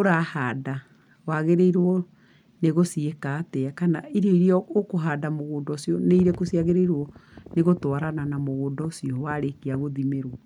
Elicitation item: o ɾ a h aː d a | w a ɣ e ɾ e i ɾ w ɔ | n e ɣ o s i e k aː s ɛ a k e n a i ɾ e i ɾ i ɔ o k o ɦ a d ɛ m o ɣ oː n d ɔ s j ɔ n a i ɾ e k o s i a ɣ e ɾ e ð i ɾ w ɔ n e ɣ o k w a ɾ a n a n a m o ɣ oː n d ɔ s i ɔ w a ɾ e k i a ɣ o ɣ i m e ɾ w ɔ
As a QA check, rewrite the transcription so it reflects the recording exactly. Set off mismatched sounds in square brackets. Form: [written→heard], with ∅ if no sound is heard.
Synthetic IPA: o ɾ a h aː d a | w a ɣ e ɾ e i ɾ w ɔ | n e ɣ o s i e k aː [s→t] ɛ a k [e→a] n a i ɾ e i ɾ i ɔ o k o ɦ a d [ɛ→a] m o ɣ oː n d ɔ s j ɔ n [a→e] i ɾ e k o s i a ɣ e ɾ e [ð→∅] i ɾ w ɔ n e ɣ o [k→t] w a ɾ a n a n a m o ɣ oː n d ɔ s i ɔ w a ɾ e k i a ɣ o [ɣ→ð] i m e ɾ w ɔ